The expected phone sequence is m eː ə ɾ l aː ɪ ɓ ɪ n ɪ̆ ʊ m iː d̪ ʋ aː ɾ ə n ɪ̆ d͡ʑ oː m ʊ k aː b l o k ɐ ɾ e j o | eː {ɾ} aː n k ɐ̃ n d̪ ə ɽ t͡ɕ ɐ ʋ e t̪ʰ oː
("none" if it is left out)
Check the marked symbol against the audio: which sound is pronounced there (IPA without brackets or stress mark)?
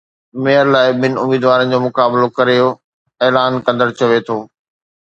l